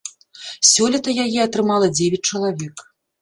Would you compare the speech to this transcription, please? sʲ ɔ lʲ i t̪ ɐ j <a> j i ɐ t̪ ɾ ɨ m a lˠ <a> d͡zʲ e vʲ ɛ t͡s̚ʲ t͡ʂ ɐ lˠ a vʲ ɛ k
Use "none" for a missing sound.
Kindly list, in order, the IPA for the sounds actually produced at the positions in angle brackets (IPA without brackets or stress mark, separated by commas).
a, ɐ